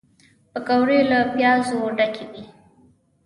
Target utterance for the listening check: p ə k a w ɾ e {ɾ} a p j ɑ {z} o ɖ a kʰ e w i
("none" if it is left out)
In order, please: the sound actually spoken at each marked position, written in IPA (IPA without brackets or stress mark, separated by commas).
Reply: l, z